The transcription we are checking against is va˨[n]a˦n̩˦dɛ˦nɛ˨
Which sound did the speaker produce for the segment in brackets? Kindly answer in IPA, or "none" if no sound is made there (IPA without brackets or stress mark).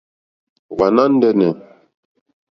n